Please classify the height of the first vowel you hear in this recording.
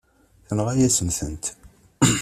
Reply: mid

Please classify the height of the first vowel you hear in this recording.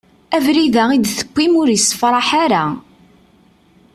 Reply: low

